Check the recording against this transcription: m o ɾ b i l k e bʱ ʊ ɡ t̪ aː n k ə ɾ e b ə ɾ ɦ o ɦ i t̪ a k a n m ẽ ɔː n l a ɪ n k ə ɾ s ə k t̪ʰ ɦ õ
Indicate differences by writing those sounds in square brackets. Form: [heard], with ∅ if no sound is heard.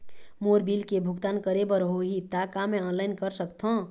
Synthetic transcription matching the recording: m o ɾ b i l k e bʱ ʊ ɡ t̪ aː n k ə ɾ e b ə ɾ ɦ o ɦ i t̪ a k a [∅] m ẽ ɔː n l a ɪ n k ə ɾ s ə k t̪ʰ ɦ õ